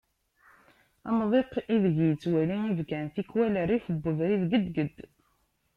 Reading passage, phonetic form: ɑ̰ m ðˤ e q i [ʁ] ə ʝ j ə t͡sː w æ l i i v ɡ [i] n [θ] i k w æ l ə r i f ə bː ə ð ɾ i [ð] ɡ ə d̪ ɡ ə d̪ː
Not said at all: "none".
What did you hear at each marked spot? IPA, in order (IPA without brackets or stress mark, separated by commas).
ð, æ, θ, ð